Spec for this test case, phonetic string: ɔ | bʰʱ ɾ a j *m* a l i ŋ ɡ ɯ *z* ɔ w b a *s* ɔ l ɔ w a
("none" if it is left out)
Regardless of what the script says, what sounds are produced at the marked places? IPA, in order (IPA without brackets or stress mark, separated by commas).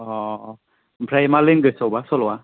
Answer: m, s, s